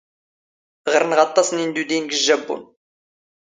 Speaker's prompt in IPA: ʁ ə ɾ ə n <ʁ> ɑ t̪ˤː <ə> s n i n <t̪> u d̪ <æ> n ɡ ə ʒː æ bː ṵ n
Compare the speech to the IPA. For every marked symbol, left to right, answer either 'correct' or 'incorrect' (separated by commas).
correct, incorrect, incorrect, incorrect